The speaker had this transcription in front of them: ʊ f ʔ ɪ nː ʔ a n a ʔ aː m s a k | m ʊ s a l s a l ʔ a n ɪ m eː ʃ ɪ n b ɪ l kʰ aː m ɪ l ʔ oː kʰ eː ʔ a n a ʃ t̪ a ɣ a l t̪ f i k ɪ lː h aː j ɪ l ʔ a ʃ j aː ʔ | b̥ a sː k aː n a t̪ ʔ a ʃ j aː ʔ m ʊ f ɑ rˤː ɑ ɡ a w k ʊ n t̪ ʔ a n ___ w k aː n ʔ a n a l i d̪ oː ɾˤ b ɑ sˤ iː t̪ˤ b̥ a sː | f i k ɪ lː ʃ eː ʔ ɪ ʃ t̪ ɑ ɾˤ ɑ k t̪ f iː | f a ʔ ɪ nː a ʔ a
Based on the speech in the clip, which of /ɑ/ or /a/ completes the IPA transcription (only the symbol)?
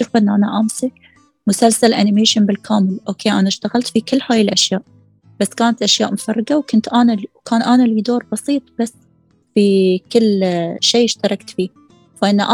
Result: a